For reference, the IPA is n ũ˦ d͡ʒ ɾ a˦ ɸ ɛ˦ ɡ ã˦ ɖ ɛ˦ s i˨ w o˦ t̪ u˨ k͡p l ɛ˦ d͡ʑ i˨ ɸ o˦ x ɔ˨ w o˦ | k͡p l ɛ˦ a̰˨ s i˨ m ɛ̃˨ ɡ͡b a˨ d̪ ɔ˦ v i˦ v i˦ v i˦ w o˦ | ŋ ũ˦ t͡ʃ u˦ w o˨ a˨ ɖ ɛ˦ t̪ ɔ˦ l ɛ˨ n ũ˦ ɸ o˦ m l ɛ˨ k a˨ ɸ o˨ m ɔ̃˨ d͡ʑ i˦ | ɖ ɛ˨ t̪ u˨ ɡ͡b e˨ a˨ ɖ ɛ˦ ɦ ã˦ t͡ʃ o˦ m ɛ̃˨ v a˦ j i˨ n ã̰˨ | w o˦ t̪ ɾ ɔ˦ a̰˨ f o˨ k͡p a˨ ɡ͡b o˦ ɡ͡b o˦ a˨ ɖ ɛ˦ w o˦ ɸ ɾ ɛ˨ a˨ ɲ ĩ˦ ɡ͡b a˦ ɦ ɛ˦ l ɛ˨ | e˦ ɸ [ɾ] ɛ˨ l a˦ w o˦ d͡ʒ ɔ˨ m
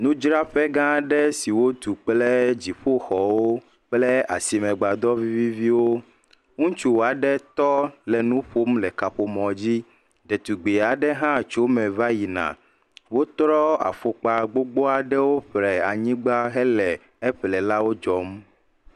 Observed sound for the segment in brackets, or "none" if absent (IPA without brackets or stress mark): l